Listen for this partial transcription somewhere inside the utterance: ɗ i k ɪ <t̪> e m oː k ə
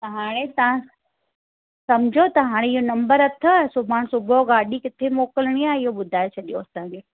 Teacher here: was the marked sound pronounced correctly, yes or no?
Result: no